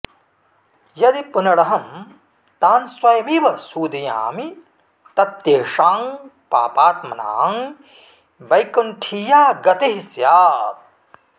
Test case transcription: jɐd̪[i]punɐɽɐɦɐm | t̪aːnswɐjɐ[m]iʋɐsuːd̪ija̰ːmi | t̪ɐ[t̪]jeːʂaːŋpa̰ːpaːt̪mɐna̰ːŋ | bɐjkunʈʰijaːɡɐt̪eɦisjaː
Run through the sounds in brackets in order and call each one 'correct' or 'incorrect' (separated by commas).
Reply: correct, correct, correct